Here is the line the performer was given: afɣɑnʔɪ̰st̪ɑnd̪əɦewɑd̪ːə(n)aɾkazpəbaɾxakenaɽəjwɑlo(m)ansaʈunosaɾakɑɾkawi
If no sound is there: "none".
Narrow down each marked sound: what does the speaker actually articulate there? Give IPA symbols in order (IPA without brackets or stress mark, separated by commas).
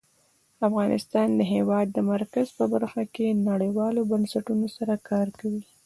m, b